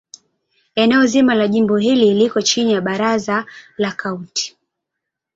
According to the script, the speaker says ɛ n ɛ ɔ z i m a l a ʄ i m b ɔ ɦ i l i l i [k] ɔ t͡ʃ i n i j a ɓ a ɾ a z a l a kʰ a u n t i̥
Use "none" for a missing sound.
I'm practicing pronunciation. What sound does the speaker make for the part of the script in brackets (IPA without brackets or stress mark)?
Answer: k